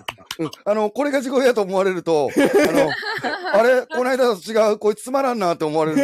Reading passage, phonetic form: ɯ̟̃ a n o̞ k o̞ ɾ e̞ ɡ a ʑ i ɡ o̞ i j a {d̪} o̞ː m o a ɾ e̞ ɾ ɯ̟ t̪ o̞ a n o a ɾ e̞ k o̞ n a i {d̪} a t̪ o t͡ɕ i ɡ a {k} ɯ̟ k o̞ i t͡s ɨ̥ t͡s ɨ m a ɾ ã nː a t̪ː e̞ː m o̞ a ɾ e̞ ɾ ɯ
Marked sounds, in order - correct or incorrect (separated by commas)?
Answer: incorrect, correct, incorrect